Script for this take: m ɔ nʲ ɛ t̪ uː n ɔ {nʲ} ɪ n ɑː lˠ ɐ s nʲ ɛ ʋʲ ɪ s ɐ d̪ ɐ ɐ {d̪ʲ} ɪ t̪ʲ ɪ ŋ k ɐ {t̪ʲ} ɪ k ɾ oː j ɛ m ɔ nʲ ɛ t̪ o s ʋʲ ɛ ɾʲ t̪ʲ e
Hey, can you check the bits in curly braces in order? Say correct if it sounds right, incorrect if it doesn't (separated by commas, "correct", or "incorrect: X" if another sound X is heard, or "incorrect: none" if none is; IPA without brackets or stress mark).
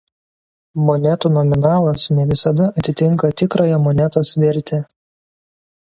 incorrect: mʲ, incorrect: t̪ʲ, correct